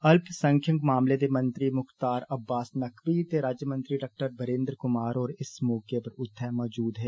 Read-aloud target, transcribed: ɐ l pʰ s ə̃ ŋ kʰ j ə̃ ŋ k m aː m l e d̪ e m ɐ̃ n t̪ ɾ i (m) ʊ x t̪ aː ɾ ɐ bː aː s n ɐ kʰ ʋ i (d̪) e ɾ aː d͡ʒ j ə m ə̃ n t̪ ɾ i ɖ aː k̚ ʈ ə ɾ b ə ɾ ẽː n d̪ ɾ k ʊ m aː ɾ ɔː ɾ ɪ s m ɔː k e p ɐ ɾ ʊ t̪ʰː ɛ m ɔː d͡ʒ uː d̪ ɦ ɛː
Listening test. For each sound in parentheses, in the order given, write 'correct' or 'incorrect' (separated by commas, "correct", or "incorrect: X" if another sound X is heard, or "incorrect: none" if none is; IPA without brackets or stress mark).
correct, incorrect: t̪